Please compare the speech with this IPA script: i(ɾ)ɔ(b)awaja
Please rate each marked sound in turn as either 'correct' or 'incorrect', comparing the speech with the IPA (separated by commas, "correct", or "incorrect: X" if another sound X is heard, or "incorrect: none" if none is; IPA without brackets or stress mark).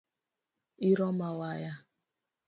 correct, incorrect: m